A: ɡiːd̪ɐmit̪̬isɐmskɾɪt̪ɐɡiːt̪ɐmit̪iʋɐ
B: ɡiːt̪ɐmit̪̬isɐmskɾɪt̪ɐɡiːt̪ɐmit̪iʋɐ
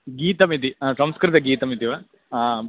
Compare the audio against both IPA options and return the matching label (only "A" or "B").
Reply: B